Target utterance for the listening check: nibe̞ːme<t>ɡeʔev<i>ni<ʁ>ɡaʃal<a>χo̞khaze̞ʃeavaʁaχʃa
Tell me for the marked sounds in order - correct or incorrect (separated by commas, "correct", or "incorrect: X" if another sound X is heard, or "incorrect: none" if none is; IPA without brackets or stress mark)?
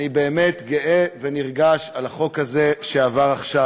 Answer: correct, incorrect: e, correct, correct